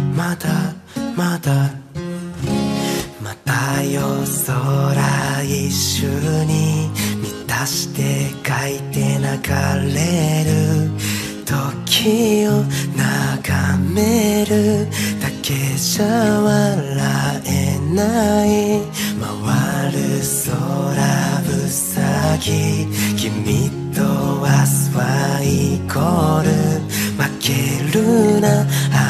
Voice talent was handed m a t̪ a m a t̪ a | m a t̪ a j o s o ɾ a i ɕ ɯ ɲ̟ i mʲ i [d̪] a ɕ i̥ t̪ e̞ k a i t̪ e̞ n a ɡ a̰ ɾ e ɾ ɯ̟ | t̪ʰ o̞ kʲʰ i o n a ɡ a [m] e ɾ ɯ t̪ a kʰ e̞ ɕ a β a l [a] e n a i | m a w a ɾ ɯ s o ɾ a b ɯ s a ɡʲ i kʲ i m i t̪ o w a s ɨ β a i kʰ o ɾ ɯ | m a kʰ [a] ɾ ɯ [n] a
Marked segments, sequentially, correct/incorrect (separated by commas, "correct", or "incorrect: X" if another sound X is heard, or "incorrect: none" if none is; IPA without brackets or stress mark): incorrect: t̪, correct, correct, incorrect: e, correct